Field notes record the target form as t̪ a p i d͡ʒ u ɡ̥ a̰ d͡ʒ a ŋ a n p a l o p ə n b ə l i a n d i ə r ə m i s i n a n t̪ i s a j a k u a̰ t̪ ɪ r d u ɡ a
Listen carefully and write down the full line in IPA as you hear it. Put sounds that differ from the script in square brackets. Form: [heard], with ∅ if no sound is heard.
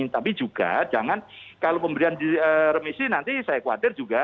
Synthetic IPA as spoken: t̪ a p i d͡ʒ u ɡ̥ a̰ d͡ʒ a ŋ a n [k] a l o p ə [m] b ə [ɾ] i a n d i ə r ə m i s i n a n t̪ i s a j a k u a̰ t̪ ɪ r [d͡ʒ] u ɡ a